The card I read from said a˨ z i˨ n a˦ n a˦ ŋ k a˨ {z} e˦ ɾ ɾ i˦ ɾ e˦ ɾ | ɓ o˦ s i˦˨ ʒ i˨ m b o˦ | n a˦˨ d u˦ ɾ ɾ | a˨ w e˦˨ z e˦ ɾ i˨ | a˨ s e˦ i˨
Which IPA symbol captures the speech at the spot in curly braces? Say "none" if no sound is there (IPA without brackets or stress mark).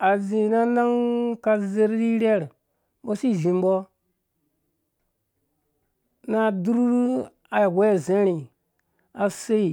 z